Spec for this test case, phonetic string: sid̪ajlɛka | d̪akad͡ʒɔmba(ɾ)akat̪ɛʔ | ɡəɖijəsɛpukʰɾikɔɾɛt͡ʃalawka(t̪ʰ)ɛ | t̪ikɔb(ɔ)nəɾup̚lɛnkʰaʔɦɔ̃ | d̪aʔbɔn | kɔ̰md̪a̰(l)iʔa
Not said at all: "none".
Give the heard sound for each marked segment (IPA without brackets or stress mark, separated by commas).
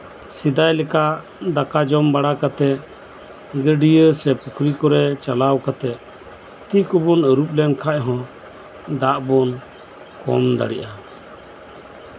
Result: ɽ, t̪, ɔ, ɽ